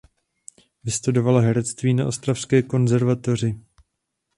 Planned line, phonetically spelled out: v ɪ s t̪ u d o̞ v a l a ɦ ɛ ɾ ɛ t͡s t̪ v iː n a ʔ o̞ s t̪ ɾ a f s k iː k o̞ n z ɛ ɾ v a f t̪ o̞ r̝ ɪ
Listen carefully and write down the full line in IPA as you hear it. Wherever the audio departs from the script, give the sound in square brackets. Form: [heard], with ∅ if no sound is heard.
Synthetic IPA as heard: v ɪ s t̪ u d o̞ v a l a ɦ ɛ ɾ ɛ t͡s t̪ v iː n a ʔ o̞ s t̪ ɾ a f s k [ɛː] k o̞ n z ɛ ɾ v a [∅] t̪ o̞ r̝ ɪ